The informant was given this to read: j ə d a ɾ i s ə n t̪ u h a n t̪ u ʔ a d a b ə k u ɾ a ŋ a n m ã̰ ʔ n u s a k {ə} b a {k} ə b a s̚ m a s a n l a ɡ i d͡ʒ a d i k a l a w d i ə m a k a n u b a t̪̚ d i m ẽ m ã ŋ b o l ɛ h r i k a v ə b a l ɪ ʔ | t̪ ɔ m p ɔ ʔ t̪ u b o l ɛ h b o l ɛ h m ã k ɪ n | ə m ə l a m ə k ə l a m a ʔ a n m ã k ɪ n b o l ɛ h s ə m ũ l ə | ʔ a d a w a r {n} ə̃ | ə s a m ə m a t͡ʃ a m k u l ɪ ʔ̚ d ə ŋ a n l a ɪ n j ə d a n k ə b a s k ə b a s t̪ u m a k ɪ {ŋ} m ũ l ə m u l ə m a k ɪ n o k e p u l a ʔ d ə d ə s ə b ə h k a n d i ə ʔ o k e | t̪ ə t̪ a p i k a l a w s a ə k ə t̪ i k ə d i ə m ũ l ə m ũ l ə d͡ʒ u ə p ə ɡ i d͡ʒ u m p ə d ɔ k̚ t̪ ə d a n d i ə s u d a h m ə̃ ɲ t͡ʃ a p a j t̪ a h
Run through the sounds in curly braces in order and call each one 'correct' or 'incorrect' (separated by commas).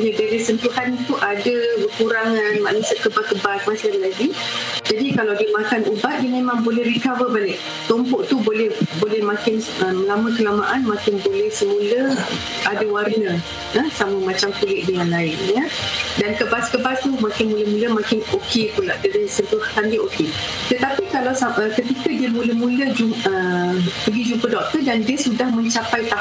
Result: correct, correct, correct, incorrect